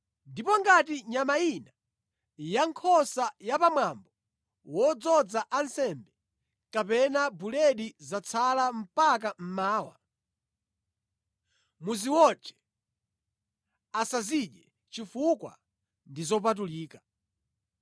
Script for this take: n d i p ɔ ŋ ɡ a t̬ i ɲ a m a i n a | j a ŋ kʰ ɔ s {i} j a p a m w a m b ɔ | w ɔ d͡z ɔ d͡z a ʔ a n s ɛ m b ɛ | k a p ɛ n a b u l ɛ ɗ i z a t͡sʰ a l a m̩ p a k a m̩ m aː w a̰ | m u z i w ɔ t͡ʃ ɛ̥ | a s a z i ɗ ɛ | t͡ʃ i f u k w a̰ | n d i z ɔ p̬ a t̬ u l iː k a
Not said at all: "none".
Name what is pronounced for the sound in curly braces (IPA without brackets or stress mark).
a